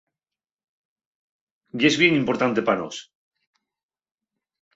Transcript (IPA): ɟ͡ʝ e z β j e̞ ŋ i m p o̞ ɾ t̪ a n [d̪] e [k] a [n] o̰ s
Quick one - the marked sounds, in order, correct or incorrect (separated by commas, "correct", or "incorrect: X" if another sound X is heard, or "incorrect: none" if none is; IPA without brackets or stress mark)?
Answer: incorrect: t̪, incorrect: p, correct